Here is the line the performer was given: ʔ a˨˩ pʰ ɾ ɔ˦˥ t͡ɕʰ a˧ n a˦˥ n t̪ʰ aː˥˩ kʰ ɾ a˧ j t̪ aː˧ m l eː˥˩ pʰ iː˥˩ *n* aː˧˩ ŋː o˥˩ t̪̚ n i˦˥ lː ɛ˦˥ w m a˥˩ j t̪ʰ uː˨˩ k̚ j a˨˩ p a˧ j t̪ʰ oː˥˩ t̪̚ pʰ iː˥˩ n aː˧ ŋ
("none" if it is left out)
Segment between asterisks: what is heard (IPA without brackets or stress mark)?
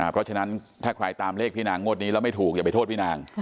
n